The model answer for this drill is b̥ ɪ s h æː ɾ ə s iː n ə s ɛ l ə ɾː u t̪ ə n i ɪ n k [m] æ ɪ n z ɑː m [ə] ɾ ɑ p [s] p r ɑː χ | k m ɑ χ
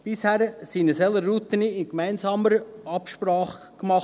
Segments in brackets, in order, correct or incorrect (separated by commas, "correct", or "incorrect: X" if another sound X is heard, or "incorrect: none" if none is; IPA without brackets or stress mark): correct, correct, incorrect: ʃ